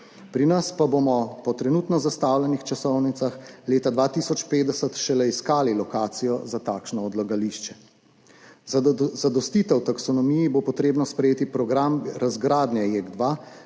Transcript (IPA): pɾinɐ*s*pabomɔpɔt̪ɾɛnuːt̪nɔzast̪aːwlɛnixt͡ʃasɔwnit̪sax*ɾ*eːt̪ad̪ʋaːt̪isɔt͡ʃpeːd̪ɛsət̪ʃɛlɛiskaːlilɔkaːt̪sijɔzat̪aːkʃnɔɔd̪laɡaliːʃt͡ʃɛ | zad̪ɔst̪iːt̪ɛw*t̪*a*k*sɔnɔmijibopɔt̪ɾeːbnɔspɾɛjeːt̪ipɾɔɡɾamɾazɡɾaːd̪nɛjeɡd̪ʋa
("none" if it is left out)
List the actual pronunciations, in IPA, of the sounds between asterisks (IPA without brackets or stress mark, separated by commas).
s, l, t̪, k